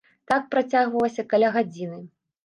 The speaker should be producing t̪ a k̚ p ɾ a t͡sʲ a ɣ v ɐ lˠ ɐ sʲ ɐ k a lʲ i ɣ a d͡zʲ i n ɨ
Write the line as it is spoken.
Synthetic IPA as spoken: t̪ a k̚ p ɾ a t͡sʲ a ɣ v ɐ lˠ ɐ sʲ ɐ k a lʲ a ɣ a d͡zʲ i n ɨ